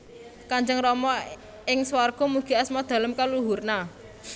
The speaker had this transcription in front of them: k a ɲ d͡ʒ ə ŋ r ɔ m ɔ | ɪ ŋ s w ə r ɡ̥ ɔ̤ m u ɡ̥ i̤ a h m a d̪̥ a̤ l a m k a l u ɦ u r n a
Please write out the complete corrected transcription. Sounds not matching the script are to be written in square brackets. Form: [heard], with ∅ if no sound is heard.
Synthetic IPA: k a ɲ d͡ʒ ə ŋ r ɔ m ɔ | ɪ ŋ s w [a] r ɡ̥ ɔ̤ m u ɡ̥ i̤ a [s] m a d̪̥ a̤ l [ə] m k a l u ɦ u r n a

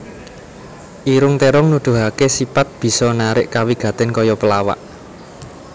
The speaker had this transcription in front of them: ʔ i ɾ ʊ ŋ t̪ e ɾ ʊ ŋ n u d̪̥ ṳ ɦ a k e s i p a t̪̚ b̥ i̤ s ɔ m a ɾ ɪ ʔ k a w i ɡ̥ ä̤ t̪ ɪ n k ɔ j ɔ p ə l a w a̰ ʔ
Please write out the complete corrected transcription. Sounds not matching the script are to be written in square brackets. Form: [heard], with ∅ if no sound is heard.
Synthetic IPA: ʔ i ɾ ʊ ŋ t̪ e ɾ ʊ ŋ n u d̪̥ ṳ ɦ a k e s i p a t̪̚ b̥ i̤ s ɔ [n] a ɾ ɪ ʔ k a w i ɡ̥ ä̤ t̪ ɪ n k ɔ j ɔ p ə l a w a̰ ʔ

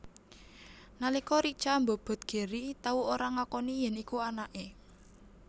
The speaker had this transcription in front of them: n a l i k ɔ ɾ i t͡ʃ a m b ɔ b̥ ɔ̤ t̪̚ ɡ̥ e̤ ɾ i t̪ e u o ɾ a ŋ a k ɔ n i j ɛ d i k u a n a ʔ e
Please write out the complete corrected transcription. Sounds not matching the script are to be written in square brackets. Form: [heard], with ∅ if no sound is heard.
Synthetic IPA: n a l i k ɔ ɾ i t͡ʃ a m b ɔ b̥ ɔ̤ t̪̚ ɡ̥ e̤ ɾ i t̪ [a] u o ɾ a ŋ a k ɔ n i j ɛ [n] i k u a n a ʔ e

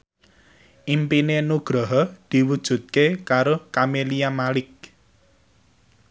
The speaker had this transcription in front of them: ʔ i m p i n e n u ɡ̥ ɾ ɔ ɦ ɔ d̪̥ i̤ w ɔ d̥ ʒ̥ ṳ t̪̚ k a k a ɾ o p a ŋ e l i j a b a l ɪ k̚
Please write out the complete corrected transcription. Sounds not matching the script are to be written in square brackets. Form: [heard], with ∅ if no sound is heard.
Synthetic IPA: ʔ i m p i n e n u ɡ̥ ɾ ɔ ɦ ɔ d̪̥ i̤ w [u] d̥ ʒ̥ ṳ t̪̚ k [e] k a ɾ o [k] a [m] e l i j a [m] a l ɪ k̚

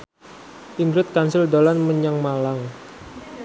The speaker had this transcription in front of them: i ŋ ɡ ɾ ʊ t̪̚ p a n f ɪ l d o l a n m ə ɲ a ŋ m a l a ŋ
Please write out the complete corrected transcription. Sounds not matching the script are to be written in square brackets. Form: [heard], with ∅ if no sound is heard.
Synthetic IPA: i ŋ ɡ ɾ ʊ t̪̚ [k] a n [s] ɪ l d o l a n m ə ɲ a ŋ m a l a ŋ

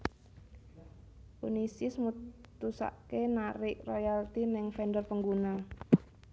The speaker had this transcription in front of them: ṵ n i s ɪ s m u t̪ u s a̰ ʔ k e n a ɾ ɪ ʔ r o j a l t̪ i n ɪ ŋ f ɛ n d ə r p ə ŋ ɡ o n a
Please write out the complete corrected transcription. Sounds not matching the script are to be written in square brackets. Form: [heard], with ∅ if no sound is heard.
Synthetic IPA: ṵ n i s ɪ s m u t̪ u s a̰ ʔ k e n a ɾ ɪ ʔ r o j a l t̪ i n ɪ ŋ f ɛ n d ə r p ə ŋ ɡ [u] n a

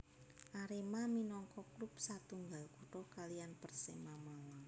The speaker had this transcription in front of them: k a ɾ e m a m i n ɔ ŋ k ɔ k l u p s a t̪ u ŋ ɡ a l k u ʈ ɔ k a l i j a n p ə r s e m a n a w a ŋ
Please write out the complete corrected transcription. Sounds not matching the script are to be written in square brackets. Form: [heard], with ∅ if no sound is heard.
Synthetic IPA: [ʔ] a ɾ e m a m i n ɔ ŋ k ɔ k l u p s a t̪ u ŋ ɡ a l k u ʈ ɔ k a l i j a n p ə r s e m a [m] a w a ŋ

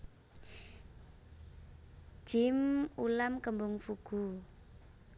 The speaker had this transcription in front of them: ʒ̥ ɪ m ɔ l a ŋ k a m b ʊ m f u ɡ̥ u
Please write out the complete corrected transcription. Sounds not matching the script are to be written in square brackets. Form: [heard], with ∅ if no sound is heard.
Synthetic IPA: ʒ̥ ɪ m [u] l a [m] k [ə] m b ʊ [ŋ] f u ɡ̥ u

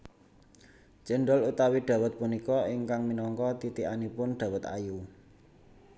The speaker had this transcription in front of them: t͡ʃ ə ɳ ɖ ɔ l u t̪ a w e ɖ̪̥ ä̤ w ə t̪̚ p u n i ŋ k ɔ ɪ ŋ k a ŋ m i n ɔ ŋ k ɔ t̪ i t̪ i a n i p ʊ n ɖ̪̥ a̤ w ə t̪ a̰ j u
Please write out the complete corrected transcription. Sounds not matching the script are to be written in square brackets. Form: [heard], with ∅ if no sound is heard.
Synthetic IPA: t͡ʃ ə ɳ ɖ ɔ l u t̪ a w [i] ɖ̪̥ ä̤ w ə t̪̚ p u n i [∅] k ɔ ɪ ŋ k a ŋ m i n ɔ ŋ k ɔ t̪ i t̪ i a n i p ʊ n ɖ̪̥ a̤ w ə t̪ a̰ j u

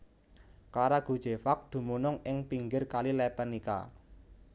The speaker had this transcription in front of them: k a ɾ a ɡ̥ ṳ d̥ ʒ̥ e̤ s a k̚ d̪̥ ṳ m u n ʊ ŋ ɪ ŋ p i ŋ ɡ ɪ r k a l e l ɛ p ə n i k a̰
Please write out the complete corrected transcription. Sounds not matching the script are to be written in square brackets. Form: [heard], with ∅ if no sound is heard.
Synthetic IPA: k a ɾ a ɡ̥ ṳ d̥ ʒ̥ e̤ [f] a k̚ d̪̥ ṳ m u n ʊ ŋ ɪ ŋ p i ŋ ɡ ɪ r k a l [i] l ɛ p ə n i k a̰

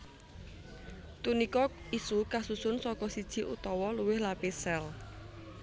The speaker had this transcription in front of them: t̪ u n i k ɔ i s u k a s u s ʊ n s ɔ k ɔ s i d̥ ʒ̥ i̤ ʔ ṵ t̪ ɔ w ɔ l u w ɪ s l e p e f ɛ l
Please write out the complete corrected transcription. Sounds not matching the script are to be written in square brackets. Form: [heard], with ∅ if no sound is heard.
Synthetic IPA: t̪ u n i k ɔ i s u k a s u s ʊ n s ɔ k ɔ s i d̥ ʒ̥ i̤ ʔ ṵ t̪ ɔ w ɔ l u w ɪ [h] l [a] p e [s] ɛ l

